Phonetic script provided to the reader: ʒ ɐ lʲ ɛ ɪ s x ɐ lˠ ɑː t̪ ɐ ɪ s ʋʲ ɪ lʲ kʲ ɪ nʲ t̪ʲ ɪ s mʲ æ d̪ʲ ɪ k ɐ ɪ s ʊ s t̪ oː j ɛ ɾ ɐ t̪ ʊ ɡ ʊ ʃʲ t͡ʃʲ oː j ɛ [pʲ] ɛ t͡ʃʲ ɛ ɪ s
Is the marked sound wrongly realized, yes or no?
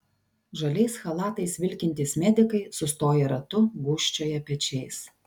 no